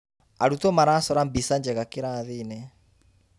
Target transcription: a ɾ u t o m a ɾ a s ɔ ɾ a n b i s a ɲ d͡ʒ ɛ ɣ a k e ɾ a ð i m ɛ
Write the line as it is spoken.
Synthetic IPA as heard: a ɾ u t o m a ɾ a s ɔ ɾ a m b i s a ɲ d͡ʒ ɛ ɣ a k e ɾ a ð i n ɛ